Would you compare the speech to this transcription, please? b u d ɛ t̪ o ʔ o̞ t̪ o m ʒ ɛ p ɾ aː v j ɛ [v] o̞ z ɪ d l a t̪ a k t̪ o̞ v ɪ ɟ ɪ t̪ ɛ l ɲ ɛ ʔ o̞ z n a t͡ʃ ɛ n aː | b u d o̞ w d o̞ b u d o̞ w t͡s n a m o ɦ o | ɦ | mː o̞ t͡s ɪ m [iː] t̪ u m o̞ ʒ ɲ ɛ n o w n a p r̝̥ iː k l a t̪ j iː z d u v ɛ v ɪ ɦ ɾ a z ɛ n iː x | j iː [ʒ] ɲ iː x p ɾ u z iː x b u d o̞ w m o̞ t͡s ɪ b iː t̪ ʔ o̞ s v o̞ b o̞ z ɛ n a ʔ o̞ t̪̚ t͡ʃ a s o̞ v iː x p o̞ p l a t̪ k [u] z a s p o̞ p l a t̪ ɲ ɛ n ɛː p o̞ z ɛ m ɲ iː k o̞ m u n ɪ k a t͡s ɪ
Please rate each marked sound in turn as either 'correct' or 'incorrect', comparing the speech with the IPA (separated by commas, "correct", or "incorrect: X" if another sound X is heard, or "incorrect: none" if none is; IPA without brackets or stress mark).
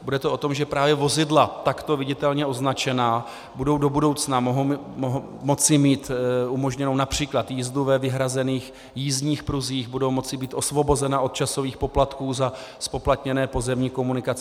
correct, correct, incorrect: z, incorrect: uː